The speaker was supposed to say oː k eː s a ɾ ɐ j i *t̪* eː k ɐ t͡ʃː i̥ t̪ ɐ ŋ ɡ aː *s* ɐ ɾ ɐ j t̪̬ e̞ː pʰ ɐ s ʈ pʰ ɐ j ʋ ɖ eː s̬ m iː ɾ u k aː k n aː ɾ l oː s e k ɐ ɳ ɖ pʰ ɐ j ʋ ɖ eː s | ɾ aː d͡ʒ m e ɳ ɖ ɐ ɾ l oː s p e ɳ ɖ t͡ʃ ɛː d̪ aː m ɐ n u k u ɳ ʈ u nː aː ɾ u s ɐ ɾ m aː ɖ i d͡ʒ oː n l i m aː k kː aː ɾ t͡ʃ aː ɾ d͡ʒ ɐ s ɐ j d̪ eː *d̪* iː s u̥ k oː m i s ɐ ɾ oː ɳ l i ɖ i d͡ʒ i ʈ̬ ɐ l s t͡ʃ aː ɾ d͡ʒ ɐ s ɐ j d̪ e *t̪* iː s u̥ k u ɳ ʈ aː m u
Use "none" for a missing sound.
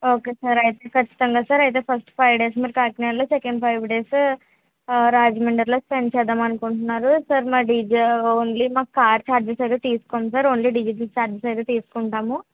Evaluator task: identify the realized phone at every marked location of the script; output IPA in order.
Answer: t̪, s, t̪, t̪

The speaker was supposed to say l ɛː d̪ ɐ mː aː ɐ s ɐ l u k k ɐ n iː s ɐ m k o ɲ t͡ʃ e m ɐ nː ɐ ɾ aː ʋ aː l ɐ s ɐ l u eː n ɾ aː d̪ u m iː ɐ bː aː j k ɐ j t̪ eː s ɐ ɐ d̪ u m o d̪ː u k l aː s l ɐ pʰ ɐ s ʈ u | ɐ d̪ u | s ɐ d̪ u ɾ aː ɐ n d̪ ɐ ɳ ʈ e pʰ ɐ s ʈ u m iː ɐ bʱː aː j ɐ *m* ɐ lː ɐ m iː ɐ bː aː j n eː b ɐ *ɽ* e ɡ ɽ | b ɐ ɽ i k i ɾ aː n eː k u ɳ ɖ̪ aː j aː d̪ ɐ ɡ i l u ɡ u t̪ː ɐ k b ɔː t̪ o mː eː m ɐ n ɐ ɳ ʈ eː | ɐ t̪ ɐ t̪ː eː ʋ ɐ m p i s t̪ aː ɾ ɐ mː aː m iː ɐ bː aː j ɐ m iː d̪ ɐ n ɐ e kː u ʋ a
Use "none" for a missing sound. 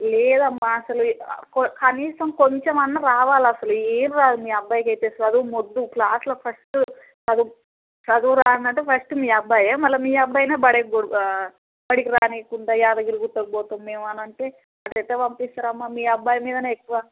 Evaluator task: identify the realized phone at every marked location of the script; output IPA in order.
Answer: m, ɽ

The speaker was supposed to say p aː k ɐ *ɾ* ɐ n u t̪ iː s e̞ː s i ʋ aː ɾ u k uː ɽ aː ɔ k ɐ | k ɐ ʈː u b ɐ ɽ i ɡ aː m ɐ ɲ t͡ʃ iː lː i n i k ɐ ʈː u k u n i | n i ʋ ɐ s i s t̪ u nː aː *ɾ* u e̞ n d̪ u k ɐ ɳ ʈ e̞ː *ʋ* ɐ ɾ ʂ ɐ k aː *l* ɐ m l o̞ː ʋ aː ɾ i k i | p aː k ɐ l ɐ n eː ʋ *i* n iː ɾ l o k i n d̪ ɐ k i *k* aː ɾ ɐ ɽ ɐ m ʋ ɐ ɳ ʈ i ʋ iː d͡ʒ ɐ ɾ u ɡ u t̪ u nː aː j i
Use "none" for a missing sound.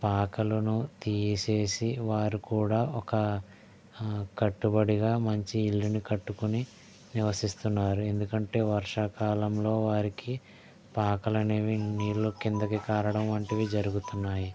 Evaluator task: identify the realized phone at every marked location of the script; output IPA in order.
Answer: l, ɾ, ʋ, l, i, k

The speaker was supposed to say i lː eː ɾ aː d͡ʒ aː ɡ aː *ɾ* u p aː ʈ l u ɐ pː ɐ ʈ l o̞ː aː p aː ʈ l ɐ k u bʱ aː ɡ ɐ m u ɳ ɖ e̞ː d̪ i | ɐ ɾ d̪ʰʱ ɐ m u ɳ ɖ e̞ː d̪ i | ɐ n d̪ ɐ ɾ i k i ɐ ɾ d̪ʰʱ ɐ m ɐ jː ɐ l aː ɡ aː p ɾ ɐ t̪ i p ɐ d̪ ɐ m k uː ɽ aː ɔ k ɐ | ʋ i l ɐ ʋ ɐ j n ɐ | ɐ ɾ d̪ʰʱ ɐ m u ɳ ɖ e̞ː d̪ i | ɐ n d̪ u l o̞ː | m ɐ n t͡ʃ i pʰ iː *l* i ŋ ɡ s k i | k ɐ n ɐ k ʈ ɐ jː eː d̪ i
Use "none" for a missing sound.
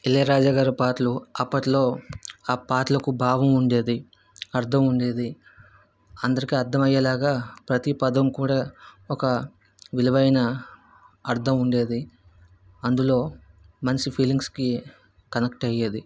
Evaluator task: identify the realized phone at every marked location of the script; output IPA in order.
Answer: ɾ, l

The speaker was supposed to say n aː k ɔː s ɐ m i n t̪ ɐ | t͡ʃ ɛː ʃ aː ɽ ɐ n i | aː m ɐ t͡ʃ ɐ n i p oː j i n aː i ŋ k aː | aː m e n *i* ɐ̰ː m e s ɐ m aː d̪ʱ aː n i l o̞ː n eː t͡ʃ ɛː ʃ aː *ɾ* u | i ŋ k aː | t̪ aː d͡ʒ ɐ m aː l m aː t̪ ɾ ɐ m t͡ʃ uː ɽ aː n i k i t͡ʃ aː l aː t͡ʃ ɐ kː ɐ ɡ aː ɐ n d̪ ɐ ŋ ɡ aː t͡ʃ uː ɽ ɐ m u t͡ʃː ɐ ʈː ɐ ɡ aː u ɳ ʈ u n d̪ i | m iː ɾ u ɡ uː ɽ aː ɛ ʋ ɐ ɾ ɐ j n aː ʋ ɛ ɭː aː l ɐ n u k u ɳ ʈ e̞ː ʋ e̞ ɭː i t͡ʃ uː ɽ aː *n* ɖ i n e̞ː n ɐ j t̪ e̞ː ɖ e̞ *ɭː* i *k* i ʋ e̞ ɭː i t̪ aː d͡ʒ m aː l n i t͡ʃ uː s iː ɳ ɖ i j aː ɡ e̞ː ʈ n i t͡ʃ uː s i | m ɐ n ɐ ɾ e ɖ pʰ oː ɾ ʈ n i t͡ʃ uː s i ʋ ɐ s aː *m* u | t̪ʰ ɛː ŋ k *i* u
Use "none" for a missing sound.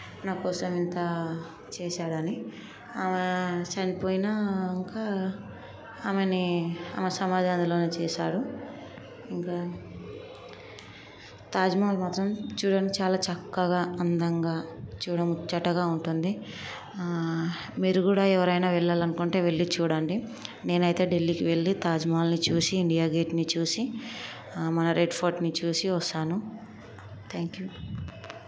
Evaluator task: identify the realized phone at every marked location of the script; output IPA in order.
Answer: i, ɽ, ɳ, lː, k, n, j

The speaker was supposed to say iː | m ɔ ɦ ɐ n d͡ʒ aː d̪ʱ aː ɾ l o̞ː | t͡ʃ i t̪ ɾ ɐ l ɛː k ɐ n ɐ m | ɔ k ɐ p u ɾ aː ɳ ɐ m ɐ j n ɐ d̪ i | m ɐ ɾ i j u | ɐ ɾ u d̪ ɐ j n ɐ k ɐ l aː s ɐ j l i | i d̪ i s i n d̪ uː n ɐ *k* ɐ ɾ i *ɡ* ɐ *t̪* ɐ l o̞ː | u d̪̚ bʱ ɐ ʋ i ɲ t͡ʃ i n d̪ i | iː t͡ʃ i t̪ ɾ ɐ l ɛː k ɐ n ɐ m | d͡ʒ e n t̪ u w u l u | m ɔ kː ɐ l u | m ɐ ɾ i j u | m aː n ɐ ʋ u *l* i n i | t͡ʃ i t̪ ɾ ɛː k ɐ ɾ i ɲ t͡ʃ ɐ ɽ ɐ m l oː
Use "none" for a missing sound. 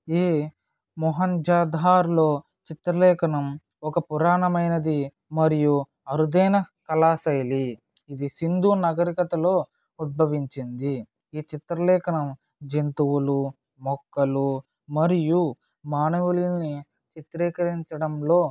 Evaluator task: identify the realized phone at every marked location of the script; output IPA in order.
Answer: ɡ, k, t̪, l

